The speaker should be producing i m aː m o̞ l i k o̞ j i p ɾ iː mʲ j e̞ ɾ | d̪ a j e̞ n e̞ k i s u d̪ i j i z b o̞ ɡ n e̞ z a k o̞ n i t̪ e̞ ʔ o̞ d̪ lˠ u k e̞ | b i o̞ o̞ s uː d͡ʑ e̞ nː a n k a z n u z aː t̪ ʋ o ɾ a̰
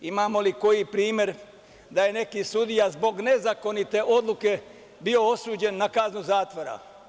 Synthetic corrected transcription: i m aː m o̞ l i k o̞ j i p ɾ iː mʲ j e̞ ɾ | d̪ a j e̞ n e̞ k i s u d̪ i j a z b o̞ ɡ n e̞ z a k o̞ n i t̪ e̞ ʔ o̞ d̪ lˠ u k e̞ | b i o̞ o̞ s uː d͡ʑ e̞ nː a k a z n u z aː t̪ ʋ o ɾ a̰